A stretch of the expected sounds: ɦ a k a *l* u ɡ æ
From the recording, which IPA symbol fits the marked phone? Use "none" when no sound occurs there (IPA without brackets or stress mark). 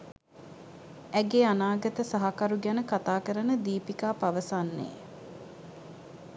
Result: ɾ